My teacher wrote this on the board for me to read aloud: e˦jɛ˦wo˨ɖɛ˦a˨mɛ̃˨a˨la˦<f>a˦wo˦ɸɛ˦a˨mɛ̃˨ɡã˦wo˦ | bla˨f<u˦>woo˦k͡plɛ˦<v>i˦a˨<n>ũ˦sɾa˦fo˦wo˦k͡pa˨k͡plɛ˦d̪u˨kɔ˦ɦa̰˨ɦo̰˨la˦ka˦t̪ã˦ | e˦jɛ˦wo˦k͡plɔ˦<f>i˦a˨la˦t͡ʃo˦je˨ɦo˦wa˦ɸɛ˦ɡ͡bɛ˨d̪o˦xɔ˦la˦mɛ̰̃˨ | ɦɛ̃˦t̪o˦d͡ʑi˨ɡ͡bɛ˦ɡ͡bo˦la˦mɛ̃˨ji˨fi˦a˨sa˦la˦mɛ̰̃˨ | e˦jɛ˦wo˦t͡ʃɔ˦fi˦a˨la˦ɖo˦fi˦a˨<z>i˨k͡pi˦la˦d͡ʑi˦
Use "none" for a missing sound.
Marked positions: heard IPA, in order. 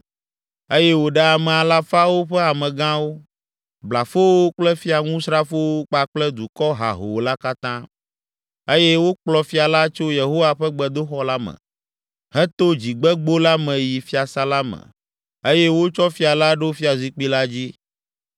f, o˦, f, ŋ, f, z

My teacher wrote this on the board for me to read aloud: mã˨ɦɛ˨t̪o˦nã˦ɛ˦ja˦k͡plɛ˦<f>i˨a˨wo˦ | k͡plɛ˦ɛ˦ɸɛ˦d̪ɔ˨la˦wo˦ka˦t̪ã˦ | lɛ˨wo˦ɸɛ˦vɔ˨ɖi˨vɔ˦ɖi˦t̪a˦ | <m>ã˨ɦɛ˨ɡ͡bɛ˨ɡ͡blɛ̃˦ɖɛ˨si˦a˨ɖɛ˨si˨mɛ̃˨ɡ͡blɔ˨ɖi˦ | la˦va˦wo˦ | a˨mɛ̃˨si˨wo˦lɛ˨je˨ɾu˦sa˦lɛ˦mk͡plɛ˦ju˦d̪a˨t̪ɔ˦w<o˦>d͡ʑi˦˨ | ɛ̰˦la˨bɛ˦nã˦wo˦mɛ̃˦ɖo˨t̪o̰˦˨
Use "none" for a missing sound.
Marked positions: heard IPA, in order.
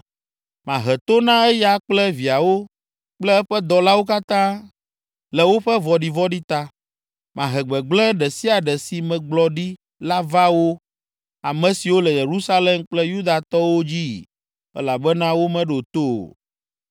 v, m, o˦

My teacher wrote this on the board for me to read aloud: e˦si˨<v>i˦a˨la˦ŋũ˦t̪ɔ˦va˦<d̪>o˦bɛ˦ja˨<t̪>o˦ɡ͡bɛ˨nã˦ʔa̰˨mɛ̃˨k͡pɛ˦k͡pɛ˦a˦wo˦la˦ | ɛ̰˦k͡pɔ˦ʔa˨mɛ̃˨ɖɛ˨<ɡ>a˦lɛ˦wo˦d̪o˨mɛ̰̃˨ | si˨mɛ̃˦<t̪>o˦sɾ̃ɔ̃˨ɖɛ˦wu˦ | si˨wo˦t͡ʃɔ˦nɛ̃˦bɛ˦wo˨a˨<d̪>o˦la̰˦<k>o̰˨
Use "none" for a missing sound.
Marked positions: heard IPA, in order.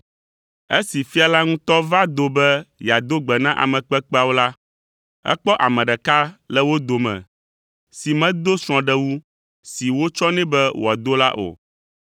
f, d̪, d̪, k, d̪, d̪, ʔ

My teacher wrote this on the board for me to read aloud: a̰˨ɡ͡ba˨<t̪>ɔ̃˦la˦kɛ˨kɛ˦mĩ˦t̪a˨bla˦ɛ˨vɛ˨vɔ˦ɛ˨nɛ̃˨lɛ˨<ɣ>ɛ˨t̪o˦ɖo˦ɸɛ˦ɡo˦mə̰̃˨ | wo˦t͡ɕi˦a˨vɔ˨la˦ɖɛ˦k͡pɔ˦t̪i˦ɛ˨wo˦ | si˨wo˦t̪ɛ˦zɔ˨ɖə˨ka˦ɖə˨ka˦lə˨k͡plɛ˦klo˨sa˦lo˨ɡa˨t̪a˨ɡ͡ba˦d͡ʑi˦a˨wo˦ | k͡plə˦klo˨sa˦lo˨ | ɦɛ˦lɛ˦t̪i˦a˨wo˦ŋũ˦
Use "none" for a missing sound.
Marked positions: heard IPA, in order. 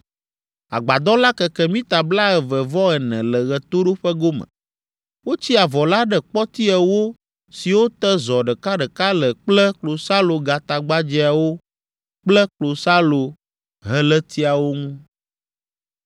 d̪, ɣ

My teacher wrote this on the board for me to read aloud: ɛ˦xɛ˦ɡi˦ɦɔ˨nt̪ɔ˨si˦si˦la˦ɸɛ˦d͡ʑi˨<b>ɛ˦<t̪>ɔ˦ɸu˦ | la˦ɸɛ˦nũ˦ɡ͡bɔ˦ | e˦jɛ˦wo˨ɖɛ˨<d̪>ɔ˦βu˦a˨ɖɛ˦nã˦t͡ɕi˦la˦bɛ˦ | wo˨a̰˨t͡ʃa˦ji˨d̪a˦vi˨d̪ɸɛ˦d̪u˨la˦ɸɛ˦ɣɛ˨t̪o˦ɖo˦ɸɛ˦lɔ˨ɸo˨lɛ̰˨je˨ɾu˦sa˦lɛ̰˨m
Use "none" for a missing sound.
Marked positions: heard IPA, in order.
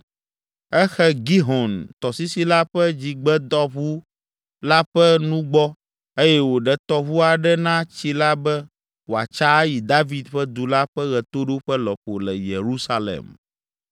ɡ͡b, d̪, t̪

